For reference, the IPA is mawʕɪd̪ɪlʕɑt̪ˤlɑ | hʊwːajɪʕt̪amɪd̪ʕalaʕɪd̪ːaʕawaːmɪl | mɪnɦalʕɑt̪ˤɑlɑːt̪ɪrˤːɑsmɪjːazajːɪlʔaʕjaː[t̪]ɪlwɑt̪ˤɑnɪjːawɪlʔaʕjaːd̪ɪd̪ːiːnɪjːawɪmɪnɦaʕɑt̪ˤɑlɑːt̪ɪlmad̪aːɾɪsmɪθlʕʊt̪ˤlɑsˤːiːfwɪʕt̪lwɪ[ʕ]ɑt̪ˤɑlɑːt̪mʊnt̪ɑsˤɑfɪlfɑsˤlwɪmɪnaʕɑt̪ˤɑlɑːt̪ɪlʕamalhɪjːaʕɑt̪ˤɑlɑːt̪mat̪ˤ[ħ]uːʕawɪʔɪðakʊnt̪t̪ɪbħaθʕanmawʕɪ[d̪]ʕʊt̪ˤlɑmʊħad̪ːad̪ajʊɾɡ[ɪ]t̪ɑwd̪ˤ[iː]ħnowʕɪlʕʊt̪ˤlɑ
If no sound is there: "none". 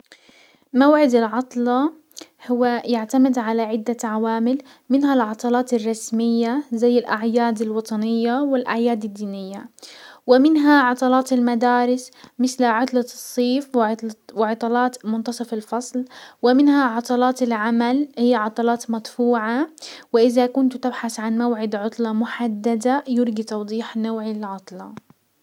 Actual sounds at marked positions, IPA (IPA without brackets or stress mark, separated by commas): d̪, ʕ, f, d̪, i, iː